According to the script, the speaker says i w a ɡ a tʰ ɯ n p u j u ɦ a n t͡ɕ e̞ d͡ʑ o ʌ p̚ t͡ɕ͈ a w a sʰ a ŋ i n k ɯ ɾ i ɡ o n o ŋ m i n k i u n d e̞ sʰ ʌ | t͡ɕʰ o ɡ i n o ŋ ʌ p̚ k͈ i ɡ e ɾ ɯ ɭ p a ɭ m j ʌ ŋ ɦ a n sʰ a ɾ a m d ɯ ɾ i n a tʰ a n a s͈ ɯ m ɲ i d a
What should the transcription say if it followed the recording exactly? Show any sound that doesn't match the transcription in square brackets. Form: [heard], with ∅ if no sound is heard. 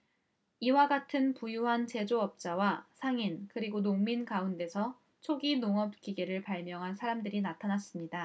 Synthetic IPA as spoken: i w a ɡ a tʰ ɯ n p u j u ɦ a n t͡ɕ e̞ d͡ʑ o ʌ p̚ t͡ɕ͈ a w a sʰ a ŋ i n k ɯ ɾ i ɡ o n o ŋ m i n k [a] u n d e̞ sʰ ʌ | t͡ɕʰ o ɡ i n o ŋ ʌ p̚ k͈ i ɡ e ɾ ɯ ɭ p a ɭ m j ʌ ŋ ɦ a n sʰ a ɾ a m d ɯ ɾ i n a tʰ a n a s͈ ɯ m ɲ i d a